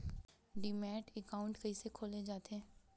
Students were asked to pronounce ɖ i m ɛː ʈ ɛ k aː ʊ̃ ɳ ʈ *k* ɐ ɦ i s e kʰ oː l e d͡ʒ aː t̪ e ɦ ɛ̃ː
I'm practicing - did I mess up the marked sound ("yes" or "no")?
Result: no